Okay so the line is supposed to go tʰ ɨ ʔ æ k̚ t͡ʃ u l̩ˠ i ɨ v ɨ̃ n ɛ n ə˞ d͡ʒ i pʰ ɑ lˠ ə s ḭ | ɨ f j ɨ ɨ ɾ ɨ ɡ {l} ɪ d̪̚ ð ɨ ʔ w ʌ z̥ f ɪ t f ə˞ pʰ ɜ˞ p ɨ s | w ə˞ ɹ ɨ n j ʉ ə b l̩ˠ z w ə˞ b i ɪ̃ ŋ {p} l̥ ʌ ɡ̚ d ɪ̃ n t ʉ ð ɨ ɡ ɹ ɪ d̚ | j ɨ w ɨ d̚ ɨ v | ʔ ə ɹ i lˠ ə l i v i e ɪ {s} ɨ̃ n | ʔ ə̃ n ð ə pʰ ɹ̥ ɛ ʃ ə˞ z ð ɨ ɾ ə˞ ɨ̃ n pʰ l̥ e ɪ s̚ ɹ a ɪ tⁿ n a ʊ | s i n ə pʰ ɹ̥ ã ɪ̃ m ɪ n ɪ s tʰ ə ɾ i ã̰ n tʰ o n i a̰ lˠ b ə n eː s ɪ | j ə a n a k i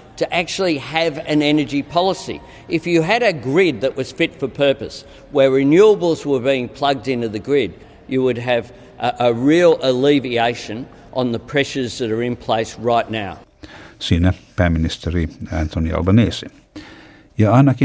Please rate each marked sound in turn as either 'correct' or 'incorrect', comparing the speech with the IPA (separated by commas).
incorrect, incorrect, incorrect